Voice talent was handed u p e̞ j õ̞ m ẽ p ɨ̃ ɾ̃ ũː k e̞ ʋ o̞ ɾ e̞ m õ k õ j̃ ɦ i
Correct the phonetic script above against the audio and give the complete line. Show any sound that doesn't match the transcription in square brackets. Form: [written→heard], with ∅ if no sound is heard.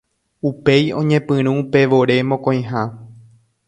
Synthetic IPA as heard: u p e̞ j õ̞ [m→ɲ] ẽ p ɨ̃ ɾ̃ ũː [k→p] e̞ ʋ o̞ ɾ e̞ m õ k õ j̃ ɦ [i→a]